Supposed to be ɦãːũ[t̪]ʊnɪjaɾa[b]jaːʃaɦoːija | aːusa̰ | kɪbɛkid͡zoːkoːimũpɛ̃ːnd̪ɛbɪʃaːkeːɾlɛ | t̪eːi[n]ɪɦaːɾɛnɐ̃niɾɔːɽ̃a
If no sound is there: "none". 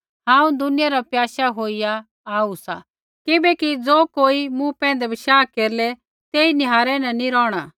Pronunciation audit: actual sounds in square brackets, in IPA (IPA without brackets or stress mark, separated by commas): d̪, p, n